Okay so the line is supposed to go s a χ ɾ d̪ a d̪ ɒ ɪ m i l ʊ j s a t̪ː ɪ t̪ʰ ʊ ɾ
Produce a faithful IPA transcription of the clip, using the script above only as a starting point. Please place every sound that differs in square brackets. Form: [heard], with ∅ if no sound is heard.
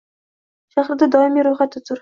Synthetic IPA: [ʃ] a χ ɾ d̪ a d̪ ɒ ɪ m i [ɾ] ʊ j [χ] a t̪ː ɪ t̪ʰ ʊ ɾ